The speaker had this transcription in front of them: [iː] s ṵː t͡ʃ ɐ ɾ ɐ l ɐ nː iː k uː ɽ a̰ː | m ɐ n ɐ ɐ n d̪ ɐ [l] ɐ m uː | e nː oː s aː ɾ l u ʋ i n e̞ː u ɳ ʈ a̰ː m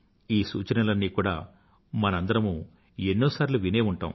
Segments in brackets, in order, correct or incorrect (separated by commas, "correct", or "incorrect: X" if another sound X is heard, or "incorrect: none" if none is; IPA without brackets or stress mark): correct, incorrect: ɾ